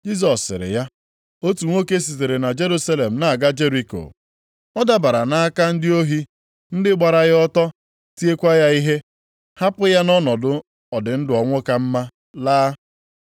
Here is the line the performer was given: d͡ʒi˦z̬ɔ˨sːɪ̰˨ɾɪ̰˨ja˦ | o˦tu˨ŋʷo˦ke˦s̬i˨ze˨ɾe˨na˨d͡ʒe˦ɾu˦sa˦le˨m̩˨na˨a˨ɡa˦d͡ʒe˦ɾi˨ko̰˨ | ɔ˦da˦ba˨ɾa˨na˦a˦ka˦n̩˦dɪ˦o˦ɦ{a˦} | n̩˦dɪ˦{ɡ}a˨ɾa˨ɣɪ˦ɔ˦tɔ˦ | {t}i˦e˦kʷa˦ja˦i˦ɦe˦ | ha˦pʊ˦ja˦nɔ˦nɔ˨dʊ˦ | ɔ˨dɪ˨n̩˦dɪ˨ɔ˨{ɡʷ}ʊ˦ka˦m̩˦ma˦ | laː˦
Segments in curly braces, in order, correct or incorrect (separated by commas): incorrect, incorrect, correct, incorrect